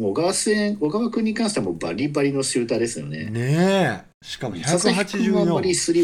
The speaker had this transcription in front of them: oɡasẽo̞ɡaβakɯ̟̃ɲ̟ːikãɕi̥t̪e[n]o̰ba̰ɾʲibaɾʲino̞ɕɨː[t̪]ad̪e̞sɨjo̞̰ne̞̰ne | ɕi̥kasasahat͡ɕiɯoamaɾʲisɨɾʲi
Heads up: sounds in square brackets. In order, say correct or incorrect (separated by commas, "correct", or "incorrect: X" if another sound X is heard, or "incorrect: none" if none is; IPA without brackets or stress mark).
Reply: incorrect: m, correct